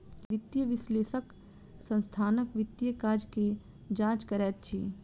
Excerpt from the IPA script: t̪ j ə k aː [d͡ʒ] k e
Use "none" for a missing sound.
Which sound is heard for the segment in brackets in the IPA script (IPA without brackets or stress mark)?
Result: d͡ʒ